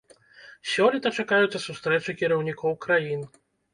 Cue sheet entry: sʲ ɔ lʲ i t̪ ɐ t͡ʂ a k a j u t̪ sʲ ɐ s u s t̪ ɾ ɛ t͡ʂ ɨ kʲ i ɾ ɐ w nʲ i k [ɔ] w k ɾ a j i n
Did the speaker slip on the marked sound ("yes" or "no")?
no